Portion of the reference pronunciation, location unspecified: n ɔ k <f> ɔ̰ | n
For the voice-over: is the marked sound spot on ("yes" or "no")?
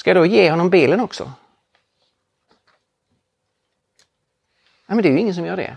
no